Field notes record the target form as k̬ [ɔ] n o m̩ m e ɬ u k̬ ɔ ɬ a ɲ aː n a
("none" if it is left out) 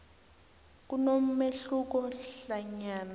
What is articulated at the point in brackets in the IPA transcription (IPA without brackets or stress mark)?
u